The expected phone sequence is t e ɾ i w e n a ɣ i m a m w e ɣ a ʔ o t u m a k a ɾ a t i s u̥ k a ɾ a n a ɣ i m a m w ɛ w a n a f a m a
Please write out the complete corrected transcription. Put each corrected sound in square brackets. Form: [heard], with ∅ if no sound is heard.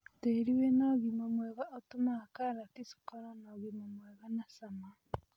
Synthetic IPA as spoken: t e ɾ i w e n a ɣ i m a m w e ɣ a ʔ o t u m a k a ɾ a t i s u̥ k a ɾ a n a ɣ i m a m w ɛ [ɣ] a n a [s] a m a